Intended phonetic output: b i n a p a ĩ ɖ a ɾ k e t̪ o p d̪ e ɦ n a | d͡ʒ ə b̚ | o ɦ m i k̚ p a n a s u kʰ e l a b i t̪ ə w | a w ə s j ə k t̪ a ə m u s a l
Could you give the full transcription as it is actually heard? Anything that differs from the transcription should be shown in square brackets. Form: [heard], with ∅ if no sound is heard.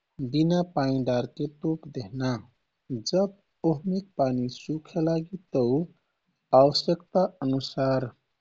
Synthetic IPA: b i n a p a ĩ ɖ a ɾ k e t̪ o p d̪ e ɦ n a | d͡ʒ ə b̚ | o ɦ m i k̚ p a n [i] s u kʰ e l a [ɡ] i t̪ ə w | a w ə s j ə k t̪ a ə [n] u s a [ɾ]